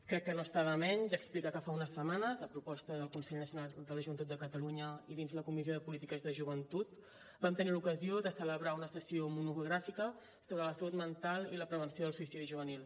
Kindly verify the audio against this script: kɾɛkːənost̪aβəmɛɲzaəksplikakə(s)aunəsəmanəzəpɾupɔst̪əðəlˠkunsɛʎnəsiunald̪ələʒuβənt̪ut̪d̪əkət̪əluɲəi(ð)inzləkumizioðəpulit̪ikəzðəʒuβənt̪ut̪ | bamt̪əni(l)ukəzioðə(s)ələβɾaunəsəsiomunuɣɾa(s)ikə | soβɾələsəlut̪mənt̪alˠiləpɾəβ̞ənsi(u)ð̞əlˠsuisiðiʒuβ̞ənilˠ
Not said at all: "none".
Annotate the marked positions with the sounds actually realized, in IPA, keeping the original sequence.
f, ð, l, s, f, o

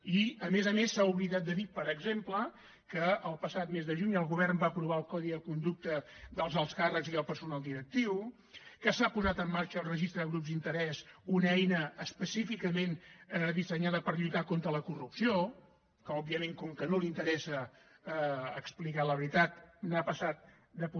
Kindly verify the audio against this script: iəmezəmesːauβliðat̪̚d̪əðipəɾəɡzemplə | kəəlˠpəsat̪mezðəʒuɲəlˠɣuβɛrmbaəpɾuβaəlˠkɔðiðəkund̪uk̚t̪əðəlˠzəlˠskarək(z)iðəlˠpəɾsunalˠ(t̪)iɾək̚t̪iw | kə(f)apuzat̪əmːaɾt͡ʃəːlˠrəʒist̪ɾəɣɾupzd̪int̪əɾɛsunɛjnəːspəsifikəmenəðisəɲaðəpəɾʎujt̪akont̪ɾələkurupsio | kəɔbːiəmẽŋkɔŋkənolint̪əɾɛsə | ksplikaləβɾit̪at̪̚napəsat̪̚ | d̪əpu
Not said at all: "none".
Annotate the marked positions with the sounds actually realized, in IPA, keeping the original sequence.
z, d̪, s

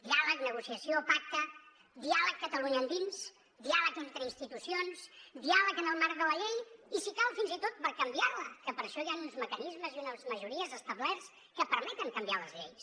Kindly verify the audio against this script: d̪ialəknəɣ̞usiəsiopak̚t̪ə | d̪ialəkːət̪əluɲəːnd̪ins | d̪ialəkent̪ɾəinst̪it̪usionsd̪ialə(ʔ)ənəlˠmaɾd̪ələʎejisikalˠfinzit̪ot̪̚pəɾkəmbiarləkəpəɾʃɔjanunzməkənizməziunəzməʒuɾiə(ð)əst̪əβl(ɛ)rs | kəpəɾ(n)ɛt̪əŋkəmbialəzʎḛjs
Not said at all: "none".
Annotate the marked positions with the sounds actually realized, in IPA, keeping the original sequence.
k, z, ɛ, m

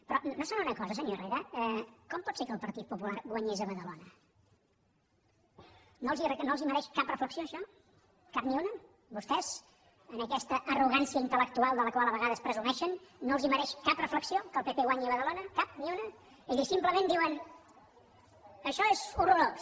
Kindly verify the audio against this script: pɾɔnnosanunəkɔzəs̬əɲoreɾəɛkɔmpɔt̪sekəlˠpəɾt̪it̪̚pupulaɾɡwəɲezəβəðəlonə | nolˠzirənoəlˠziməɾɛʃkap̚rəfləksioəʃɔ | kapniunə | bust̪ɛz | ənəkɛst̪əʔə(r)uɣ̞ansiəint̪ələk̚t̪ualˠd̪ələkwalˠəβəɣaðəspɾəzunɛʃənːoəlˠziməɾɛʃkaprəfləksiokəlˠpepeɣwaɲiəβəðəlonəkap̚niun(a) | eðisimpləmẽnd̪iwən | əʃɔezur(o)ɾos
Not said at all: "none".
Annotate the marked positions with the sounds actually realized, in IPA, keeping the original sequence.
r, ə, u

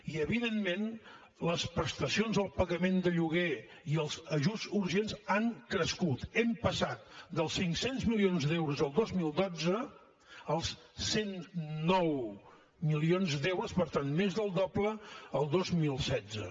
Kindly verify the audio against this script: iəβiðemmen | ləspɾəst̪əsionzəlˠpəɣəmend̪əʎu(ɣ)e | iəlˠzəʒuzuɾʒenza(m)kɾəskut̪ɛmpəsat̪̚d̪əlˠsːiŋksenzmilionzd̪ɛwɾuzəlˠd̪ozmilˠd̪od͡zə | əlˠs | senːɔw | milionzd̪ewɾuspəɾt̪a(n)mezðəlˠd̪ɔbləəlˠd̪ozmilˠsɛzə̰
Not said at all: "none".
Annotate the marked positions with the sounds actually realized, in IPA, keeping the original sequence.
ɣ, ŋ, n

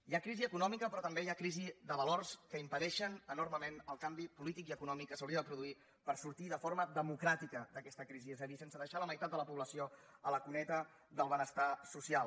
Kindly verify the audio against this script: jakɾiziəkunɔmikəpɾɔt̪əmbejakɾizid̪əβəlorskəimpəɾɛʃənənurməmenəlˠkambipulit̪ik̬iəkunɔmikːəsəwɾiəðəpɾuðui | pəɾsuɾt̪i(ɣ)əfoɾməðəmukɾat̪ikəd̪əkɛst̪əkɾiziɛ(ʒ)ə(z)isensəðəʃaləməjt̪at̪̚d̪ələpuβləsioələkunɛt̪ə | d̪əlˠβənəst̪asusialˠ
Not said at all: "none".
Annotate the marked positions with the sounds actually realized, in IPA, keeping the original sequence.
ð, z, ð

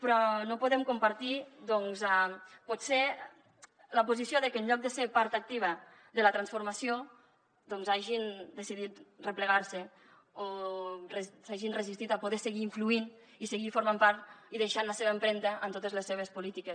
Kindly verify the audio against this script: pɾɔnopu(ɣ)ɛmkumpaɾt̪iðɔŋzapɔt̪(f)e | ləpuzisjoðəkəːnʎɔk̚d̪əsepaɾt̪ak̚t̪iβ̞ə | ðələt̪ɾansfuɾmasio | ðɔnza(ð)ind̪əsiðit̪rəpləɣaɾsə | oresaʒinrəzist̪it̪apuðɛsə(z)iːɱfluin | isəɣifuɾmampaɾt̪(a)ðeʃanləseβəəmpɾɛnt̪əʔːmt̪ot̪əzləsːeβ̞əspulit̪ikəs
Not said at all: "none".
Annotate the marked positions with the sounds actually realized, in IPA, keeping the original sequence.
ð, s, ʒ, ɣ, i

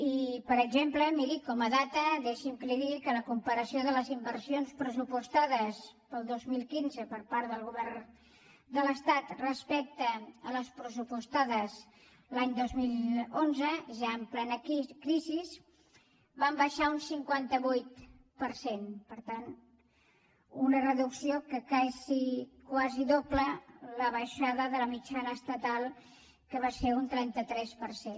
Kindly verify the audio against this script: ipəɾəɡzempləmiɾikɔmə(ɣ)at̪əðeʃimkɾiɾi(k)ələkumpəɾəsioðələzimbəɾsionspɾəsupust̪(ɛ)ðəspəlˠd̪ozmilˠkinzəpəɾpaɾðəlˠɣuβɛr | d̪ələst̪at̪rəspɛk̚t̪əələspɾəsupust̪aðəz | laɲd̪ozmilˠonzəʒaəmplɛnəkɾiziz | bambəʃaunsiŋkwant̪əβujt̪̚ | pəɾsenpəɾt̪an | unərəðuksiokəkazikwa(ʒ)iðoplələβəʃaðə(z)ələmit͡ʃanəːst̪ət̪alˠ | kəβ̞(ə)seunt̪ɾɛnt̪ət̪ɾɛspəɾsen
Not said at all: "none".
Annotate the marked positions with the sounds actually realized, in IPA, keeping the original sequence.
ð, k, a, z, ð, a

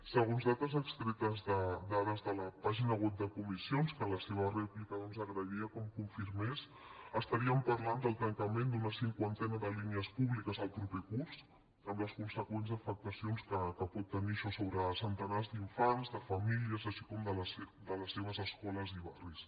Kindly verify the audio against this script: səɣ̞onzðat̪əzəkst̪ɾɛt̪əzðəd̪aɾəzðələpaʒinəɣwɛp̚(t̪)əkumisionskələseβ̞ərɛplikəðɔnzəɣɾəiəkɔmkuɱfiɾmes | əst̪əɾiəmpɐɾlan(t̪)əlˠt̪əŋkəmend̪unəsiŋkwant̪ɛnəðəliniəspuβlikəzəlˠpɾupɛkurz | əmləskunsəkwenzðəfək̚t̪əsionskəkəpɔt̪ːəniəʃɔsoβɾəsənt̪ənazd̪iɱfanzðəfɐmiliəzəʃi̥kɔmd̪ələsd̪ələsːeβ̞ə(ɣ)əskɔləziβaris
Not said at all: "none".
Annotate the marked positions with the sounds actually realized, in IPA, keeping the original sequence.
d̪, d̪, z

